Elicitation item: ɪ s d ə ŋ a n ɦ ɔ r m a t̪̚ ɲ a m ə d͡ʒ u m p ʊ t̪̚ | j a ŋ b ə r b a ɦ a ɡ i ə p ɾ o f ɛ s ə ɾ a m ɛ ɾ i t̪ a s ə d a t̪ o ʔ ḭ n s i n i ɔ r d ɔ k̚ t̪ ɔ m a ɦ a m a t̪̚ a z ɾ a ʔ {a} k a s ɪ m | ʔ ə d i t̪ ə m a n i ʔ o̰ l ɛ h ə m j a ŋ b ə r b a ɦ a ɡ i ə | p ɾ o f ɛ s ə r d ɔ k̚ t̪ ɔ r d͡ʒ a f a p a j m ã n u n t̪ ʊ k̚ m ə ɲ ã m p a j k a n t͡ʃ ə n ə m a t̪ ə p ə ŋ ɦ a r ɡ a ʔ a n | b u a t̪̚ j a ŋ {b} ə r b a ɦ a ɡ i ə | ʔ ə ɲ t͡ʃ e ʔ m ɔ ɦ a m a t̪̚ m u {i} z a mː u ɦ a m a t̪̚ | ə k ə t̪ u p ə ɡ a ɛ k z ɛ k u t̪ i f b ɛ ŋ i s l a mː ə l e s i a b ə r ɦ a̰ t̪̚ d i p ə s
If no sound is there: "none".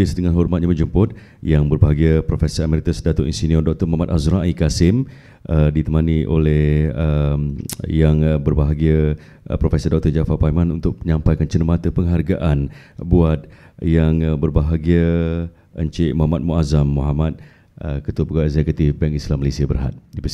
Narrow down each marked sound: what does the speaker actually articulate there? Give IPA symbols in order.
i, b, a

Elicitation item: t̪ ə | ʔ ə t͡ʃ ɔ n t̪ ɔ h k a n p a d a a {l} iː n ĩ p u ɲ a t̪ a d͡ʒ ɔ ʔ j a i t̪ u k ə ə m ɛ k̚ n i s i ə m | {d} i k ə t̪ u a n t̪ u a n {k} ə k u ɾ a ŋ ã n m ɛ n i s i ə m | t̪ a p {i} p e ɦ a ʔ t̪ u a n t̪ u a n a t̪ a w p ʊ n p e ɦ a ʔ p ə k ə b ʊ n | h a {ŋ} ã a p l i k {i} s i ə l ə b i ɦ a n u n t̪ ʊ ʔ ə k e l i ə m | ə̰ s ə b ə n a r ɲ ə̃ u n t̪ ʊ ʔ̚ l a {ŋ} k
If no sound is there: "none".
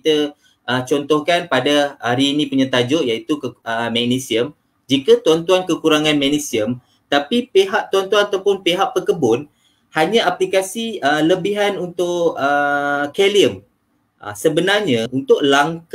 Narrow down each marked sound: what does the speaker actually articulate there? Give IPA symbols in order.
ɾ, d͡ʒ, k, i, ɲ, a, ŋ

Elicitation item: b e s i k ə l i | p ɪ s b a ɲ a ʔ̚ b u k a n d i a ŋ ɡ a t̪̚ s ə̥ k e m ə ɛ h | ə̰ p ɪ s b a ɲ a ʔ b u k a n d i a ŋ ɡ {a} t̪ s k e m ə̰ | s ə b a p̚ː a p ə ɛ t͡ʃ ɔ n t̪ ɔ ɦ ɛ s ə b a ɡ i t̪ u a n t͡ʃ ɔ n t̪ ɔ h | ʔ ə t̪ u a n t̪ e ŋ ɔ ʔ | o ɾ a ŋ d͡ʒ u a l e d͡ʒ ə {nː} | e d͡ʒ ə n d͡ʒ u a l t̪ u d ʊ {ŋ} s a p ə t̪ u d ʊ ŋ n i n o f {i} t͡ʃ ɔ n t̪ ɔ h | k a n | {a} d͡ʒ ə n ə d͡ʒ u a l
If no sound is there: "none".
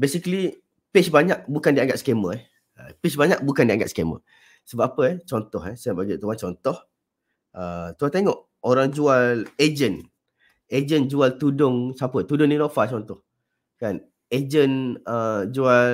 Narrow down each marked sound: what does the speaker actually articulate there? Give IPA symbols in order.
a, n, ŋ, a, e

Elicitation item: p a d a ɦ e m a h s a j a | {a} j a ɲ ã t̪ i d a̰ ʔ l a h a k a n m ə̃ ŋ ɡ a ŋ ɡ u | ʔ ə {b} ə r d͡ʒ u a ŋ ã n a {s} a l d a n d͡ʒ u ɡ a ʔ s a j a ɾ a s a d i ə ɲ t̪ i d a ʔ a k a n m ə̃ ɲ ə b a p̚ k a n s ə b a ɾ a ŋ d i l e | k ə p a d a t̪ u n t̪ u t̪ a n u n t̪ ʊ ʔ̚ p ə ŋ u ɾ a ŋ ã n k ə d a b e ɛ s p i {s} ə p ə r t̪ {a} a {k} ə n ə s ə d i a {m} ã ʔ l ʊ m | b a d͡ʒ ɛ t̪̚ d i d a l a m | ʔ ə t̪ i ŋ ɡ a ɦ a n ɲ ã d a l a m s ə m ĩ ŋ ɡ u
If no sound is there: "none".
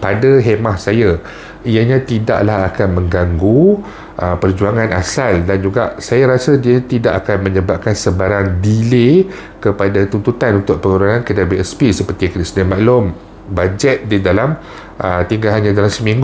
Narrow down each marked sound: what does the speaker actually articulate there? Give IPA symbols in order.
i, p, s, s, i, k, m

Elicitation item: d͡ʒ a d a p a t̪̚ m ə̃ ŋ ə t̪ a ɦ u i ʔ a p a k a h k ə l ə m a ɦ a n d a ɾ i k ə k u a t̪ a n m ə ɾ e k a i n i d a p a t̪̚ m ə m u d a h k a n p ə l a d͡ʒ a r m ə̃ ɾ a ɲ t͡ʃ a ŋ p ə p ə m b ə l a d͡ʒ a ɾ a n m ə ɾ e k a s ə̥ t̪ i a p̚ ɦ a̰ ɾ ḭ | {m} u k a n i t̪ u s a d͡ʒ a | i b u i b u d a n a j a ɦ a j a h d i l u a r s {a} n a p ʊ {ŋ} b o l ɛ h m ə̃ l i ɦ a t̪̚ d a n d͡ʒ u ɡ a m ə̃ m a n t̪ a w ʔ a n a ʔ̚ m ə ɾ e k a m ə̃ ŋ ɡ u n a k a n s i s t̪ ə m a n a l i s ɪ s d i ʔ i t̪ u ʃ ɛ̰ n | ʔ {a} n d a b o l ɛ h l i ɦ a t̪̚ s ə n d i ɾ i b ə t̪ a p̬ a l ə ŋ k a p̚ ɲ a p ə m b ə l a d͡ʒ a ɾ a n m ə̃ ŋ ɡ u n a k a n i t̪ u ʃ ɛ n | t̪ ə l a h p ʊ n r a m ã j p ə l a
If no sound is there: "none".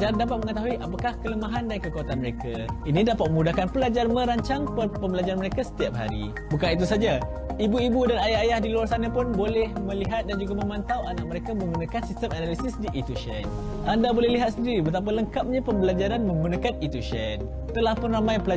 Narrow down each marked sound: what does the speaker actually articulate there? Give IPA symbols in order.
b, a, n, a

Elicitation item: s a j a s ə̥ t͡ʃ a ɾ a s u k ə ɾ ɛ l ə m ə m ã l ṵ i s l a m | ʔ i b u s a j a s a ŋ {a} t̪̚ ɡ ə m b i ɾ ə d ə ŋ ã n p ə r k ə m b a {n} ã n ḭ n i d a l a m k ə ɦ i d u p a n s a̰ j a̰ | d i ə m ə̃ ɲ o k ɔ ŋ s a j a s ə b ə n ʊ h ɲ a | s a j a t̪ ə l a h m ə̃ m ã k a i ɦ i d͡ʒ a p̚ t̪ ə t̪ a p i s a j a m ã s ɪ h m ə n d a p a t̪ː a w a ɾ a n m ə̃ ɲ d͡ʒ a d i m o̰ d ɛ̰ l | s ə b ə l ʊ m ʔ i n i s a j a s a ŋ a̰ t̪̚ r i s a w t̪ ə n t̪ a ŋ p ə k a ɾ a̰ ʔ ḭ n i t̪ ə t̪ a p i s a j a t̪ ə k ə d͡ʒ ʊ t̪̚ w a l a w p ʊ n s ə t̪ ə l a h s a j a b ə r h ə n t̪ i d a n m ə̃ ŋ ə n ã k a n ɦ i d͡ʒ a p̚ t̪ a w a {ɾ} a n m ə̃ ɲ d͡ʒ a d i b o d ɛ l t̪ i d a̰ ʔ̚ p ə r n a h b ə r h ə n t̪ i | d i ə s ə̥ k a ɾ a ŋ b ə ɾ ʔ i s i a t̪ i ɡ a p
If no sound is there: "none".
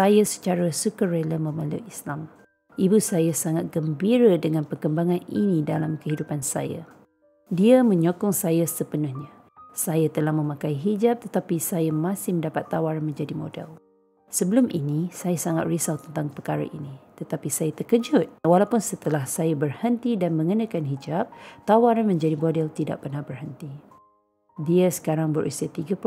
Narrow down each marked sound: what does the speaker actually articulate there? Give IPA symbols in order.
a, ŋ, ɾ

